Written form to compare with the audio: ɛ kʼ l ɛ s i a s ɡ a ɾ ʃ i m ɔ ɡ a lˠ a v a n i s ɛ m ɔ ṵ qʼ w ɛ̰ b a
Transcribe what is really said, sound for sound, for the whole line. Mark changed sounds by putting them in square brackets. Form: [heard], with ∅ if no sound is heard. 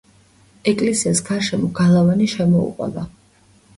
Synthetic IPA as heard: ɛ kʼ l ɛ s i a s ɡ a ɾ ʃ [ɛ] m ɔ ɡ a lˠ a v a n i [ʃ] ɛ m ɔ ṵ qʼ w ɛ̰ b a